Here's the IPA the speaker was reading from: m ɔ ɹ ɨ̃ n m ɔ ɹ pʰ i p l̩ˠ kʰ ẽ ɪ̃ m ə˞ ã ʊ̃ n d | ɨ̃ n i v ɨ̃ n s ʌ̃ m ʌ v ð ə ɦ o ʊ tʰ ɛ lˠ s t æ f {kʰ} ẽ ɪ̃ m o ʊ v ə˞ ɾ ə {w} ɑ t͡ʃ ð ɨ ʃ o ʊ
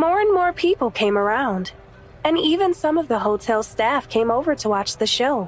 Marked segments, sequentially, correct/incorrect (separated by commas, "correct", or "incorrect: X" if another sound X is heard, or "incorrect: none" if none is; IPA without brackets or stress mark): correct, correct